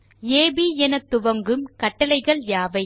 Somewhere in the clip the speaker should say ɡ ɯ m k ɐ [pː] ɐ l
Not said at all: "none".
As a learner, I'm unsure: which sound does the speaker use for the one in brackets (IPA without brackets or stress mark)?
ʈː